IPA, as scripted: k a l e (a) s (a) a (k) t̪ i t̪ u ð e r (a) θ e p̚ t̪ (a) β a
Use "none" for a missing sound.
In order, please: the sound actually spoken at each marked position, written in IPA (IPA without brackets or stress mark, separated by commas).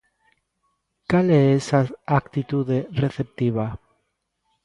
e, a, k, e, i